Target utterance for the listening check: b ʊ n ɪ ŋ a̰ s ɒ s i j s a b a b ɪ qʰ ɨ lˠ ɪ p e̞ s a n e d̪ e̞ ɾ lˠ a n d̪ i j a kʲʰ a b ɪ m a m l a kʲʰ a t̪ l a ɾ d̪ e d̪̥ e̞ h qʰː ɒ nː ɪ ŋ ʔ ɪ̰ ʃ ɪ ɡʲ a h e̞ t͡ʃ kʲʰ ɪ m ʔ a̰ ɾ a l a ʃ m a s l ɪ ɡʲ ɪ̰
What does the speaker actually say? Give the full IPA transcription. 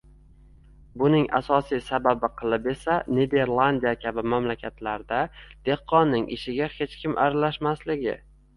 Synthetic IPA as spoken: b ʊ n ɪ ŋ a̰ s ɒ s i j s a b a b ɪ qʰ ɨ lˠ ɪ p e̞ s a n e d̪ e̞ ɾ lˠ a n d̪ i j a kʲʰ a b ɪ m a m l a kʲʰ a t̪ l a ɾ d̪ a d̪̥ e̞ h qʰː ɒ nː ɪ ŋ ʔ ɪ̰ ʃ ɪ ɡʲ a h e̞ t͡ʃ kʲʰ ɪ m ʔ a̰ ɾ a l a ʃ m a s l ɪ ɡʲ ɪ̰